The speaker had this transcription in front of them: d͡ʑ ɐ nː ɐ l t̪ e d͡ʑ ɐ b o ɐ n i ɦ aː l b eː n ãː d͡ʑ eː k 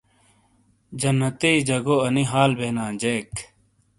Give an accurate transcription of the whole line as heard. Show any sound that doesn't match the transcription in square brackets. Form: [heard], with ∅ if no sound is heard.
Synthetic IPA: d͡ʑ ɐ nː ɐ [∅] t̪ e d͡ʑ ɐ [ɡ] o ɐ n i ɦ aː l b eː n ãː d͡ʑ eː k

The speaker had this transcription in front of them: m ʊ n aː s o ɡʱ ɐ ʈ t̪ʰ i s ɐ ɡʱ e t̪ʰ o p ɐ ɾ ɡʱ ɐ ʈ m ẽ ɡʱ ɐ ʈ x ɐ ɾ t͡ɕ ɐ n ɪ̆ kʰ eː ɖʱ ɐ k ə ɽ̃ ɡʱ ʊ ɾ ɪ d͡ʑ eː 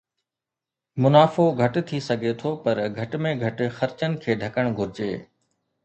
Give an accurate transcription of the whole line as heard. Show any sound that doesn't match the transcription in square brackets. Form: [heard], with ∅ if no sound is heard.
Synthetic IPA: m ʊ n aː [f] o ɡʱ ɐ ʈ t̪ʰ i s ɐ ɡʱ e t̪ʰ o p ɐ ɾ ɡʱ ɐ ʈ m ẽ ɡʱ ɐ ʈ x ɐ ɾ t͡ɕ [ə] n ɪ̆ kʰ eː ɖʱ ɐ k ə ɽ̃ ɡʱ ʊ ɾ ɪ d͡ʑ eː

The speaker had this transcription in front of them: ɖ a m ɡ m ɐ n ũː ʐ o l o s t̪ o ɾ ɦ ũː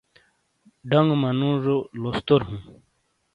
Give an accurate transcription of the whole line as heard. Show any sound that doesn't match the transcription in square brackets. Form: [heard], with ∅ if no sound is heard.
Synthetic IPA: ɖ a [ŋ] ɡ m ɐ n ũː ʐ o l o s t̪ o ɾ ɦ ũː

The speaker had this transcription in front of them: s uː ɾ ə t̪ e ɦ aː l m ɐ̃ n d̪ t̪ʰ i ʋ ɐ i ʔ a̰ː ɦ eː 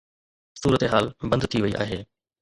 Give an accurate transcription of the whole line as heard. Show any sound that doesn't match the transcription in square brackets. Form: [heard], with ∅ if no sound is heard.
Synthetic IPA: s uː ɾ ə t̪ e ɦ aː l [b] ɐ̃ n d̪ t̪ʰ i ʋ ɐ i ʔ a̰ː ɦ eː

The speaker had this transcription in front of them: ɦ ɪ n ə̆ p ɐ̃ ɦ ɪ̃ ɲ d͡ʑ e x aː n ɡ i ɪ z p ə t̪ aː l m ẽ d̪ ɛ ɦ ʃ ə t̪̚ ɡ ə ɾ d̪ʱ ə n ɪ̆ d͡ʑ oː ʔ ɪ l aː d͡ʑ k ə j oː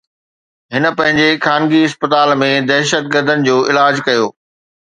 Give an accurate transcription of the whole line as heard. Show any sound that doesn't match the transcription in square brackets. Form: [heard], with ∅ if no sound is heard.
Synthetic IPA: ɦ ɪ n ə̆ p ɐ̃ ɦ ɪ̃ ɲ d͡ʑ e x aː n ɡ i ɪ [s] p ə t̪ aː l m ẽ d̪ ɛ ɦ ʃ ə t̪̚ ɡ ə ɾ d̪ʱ ə n ɪ̆ d͡ʑ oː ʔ ɪ l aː d͡ʑ k [ɐ] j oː

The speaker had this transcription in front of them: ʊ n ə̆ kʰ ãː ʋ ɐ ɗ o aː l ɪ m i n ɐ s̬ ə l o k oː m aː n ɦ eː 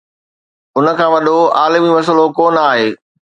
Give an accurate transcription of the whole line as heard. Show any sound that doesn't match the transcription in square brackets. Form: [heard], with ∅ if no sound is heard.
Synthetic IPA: ʊ n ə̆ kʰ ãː ʋ ɐ ɗ o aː l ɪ m i [m] ɐ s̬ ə l o k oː [n] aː [∅] ɦ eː

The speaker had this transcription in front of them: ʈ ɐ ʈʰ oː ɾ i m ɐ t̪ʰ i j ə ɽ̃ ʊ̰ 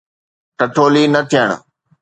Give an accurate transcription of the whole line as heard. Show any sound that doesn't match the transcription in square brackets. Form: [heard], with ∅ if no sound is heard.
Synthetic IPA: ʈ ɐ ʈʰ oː [l] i [n] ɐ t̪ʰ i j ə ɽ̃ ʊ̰

